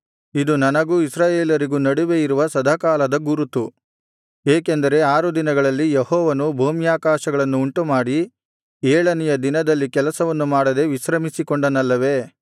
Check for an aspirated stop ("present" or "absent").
absent